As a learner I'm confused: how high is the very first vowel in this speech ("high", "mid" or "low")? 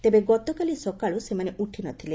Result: mid